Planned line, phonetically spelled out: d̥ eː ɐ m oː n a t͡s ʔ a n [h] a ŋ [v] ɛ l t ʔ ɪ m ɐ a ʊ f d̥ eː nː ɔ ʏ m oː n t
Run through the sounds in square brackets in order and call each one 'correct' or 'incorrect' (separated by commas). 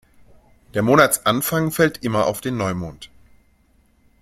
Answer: incorrect, incorrect